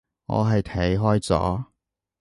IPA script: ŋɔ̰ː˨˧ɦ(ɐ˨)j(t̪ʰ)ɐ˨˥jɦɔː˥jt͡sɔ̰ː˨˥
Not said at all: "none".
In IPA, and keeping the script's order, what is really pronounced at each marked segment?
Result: ɐ˨, t̪ʰ

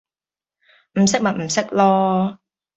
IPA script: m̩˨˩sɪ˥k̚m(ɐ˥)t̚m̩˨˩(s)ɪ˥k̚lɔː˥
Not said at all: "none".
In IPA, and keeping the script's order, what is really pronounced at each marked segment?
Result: ɐ˨, s

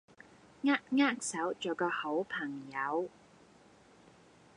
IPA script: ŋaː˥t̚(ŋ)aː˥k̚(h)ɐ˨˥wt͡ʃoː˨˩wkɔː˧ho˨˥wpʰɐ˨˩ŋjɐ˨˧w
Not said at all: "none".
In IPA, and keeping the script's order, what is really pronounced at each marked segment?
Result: ŋ, s

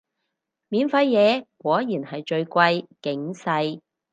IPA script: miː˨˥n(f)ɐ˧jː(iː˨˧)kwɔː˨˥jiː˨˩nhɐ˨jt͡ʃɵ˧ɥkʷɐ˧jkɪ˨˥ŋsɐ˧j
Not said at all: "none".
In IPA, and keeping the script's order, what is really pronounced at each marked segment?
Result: f, ɛː˨˧

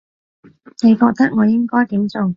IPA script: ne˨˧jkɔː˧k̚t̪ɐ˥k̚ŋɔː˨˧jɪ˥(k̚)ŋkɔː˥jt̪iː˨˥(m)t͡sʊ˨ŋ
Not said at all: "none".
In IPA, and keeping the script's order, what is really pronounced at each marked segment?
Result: none, m

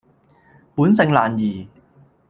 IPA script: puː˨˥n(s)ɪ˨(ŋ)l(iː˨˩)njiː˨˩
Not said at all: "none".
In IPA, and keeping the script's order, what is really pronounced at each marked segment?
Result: s, ŋ, aː˨˩

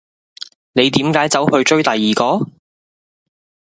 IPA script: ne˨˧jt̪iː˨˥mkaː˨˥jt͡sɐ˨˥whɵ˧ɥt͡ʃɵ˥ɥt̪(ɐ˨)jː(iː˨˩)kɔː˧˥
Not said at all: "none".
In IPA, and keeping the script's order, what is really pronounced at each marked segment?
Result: ɐ˨, iː˨˩

